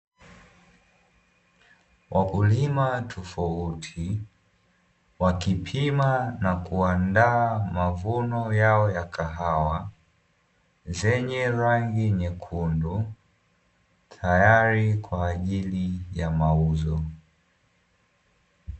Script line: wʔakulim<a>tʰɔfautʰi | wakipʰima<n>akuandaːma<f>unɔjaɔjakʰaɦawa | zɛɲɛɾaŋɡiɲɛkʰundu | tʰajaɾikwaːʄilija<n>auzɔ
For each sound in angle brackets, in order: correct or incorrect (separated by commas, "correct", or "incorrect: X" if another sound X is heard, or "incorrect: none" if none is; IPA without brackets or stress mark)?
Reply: correct, correct, incorrect: v, incorrect: m